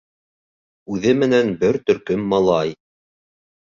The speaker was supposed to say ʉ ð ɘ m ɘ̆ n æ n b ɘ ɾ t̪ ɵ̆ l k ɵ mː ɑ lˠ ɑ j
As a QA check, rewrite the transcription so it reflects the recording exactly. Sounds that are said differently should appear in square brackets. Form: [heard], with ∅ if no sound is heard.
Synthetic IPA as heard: ʉ ð ɘ m ɘ̆ n æ n b ɘ ɾ t̪ ɵ̆ [ɾ] k ɵ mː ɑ lˠ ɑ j